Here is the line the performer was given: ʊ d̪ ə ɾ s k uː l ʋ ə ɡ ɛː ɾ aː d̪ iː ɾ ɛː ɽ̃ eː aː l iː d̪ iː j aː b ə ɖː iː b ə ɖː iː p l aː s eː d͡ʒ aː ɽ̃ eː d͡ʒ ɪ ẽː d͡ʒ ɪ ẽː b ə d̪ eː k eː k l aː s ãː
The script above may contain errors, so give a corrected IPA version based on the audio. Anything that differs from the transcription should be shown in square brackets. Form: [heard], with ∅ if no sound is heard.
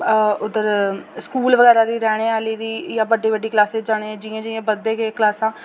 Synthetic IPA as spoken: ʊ d̪ ə ɾ s k uː l ʋ ə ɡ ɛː ɾ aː d̪ iː ɾ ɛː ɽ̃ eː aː l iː d̪ iː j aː b ə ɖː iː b ə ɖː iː [k] l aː s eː d͡ʒ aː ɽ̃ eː d͡ʒ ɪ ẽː d͡ʒ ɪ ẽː b ə d̪ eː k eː k l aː s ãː